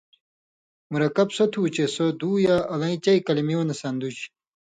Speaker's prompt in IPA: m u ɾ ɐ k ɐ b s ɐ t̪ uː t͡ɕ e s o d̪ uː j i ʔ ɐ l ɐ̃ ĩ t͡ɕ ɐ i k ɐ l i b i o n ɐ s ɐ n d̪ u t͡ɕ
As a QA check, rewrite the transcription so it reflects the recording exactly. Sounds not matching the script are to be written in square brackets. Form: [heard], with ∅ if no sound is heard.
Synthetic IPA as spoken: m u ɾ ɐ k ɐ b s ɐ [t̪ʰ] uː t͡ɕ e s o d̪ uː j [a] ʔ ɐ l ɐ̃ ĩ t͡ɕ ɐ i k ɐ l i [m] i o n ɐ s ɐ n d̪ u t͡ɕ